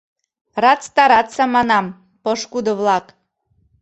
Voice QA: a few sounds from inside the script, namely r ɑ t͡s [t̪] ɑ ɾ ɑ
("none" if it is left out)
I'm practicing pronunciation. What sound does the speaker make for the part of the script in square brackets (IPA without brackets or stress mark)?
t̪